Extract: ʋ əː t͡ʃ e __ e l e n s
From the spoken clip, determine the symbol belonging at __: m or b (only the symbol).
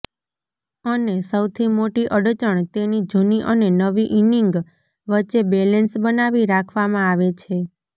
b